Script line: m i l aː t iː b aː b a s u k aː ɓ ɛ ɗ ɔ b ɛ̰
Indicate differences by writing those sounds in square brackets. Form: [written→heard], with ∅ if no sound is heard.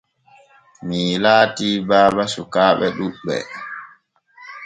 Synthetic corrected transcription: m i l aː t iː b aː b a s u k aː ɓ ɛ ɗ [ɔ→u] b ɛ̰

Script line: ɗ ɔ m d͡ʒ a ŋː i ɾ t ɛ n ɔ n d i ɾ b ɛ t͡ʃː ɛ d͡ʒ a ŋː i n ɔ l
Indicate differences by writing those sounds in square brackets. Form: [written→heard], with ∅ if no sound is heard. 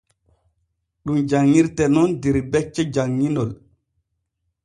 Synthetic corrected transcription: ɗ [ɔ→u] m d͡ʒ a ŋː i ɾ t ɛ n ɔ n d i ɾ b ɛ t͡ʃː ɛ d͡ʒ a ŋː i n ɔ l

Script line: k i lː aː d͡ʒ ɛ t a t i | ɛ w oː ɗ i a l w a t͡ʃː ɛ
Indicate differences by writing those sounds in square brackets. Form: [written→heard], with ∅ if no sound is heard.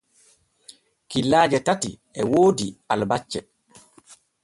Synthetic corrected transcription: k i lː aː d͡ʒ ɛ t a t i | ɛ w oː [ɗ→d] i a l [w→b] a t͡ʃː ɛ

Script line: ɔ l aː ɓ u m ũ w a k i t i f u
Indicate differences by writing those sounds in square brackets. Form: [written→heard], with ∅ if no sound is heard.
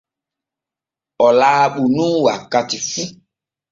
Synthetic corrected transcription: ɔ l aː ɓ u [m→n] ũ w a k [i→a] t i f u

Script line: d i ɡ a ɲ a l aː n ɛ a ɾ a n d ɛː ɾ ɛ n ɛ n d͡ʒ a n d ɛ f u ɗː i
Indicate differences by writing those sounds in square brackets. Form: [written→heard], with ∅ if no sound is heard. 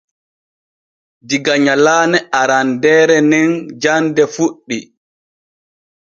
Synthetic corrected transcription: d i ɡ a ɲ a l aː n ɛ a ɾ a n d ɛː ɾ ɛ n ɛ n d͡ʒ a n d ɛ f u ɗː i

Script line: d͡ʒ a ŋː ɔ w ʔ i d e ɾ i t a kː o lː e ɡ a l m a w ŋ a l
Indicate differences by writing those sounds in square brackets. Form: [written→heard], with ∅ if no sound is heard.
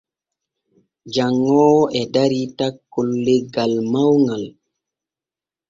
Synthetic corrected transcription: d͡ʒ a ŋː ɔ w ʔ [i→ɛ] d [e→a] ɾ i t a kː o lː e ɡ a l m a w ŋ a l

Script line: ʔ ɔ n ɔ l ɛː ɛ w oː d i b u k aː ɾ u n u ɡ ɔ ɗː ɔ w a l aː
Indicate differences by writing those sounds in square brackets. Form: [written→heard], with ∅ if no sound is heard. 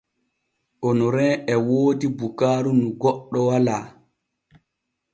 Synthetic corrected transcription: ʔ ɔ n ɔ [l→ɾ] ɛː ɛ w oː d i b u k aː ɾ u n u ɡ ɔ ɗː ɔ w a l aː

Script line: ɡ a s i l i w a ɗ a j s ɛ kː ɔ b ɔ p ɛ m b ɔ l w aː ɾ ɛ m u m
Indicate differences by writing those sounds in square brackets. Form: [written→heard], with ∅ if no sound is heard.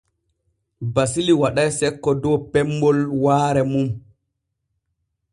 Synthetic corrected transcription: [ɡ→b] a s i l i w a ɗ a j s ɛ kː ɔ [b→d] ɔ p ɛ m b ɔ l w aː ɾ ɛ m u m

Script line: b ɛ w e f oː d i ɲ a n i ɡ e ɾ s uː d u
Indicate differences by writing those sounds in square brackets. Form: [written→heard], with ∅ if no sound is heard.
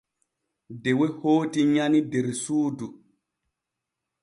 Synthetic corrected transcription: [b→d] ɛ w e [f→h] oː [d→t] i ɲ a n i [ɡ→d] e ɾ s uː d u

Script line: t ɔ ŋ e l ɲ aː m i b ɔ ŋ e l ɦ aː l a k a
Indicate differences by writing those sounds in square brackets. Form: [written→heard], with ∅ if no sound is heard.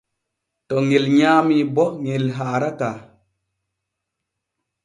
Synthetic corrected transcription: t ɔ ŋ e l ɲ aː m i b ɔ ŋ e l ɦ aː [l→ɾ] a k a

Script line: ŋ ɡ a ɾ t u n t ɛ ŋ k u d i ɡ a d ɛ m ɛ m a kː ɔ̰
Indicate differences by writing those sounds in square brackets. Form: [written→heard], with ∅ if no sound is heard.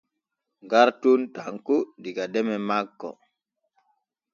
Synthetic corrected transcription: ŋ ɡ a ɾ t u n t [ɛ→a] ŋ k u d i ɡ a d ɛ m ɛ m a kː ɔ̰

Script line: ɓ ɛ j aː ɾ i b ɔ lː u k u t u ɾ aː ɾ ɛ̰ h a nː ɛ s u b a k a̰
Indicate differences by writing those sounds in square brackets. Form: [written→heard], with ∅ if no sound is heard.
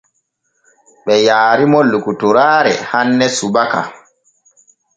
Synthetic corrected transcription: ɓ ɛ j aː ɾ i [b→m] ɔ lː u k u t u ɾ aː ɾ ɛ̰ h a nː ɛ s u b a k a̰

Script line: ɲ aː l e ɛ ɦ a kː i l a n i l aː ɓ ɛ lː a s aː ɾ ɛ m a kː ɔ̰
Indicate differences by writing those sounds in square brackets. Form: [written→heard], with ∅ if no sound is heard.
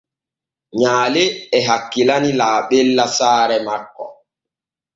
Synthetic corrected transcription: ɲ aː l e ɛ ɦ a kː i l a n i l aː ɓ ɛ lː a s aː ɾ ɛ m a kː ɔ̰

